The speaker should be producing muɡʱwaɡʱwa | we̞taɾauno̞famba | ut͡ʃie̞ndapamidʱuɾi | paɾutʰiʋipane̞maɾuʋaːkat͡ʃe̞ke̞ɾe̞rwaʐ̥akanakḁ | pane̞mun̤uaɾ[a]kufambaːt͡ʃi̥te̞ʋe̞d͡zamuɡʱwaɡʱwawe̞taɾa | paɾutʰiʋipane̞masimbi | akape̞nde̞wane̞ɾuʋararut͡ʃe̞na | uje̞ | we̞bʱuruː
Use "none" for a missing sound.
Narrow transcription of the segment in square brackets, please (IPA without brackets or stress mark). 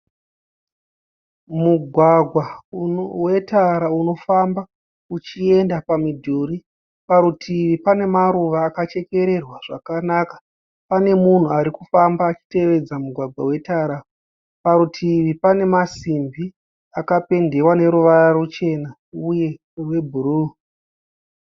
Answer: i